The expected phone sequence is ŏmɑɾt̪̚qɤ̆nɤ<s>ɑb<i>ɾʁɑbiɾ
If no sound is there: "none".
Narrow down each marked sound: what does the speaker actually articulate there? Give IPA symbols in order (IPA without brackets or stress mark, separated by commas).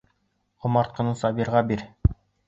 s, i